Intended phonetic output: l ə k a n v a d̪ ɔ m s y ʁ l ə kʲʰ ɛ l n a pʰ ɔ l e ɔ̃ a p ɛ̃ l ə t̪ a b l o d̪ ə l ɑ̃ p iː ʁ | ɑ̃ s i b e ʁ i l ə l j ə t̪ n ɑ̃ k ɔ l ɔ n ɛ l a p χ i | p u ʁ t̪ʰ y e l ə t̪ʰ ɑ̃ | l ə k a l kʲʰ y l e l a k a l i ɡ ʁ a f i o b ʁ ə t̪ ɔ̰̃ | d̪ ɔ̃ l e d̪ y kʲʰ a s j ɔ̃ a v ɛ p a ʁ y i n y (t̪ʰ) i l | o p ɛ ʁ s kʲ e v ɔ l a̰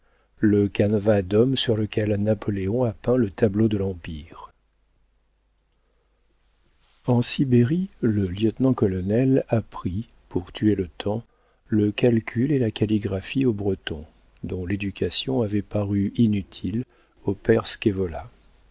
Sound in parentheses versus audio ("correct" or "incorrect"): correct